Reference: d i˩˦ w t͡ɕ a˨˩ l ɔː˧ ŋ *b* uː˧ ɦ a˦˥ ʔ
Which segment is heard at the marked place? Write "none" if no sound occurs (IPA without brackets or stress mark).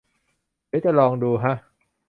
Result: d